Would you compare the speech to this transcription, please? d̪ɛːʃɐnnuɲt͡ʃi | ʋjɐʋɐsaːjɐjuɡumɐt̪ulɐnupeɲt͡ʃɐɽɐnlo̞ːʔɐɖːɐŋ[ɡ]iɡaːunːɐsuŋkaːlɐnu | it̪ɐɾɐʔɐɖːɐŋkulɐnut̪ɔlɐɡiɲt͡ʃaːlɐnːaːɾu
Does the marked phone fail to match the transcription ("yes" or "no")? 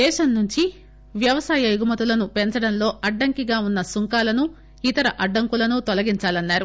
yes